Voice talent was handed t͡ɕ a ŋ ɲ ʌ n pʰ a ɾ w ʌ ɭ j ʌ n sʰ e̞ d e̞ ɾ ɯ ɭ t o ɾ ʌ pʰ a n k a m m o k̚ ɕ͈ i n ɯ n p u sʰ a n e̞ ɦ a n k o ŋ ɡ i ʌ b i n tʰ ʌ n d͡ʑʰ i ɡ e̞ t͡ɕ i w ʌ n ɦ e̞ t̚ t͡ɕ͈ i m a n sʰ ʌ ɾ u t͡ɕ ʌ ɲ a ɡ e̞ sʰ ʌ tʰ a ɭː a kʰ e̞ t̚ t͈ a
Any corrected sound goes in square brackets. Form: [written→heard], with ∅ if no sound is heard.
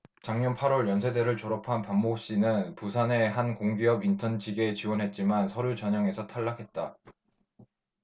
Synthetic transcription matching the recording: t͡ɕ a ŋ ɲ ʌ n pʰ a ɾ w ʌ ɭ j ʌ n sʰ e̞ d e̞ ɾ ɯ ɭ [t→t͡ɕ] o ɾ ʌ pʰ a n [k→p] a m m o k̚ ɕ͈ i n ɯ n p u sʰ a n e̞ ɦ a n k o ŋ ɡ i ʌ b i n tʰ ʌ n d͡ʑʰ i ɡ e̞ t͡ɕ i w ʌ n ɦ e̞ t̚ t͡ɕ͈ i m a n sʰ ʌ ɾ u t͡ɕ ʌ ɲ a [ɡ→ŋ] e̞ sʰ ʌ tʰ a ɭː a kʰ e̞ t̚ t͈ a